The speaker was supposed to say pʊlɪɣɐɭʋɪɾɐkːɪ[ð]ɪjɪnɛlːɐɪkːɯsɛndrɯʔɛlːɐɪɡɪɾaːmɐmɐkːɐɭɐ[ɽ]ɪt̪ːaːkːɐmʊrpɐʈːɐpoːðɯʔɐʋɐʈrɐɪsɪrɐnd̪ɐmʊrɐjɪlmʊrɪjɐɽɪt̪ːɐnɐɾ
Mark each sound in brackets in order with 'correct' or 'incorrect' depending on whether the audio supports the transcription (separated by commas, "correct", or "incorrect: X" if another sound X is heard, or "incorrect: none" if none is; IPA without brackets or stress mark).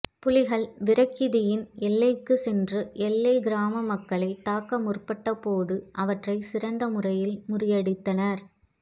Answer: correct, incorrect: none